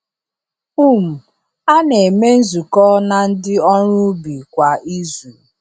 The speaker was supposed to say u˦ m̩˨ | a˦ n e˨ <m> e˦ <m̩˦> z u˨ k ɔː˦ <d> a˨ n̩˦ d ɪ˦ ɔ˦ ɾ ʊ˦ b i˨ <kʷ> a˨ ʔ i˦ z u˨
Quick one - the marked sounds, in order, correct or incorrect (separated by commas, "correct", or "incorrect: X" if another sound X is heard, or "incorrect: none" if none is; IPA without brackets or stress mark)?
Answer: correct, incorrect: n̩˦, incorrect: n, correct